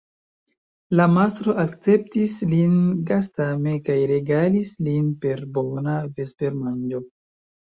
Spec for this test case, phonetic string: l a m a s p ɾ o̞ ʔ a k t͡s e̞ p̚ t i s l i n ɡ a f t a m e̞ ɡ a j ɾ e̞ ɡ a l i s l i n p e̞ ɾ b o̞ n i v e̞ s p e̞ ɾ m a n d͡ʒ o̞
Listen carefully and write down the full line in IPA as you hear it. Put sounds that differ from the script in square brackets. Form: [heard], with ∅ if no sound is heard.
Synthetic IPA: l a m a s [t] ɾ o̞ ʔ a k t͡s e̞ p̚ t i s l i n ɡ a [s] t a m e̞ [k] a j ɾ e̞ ɡ a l i s l i n p e̞ ɾ b o̞ n [a] v e̞ s p e̞ ɾ m a n d͡ʒ o̞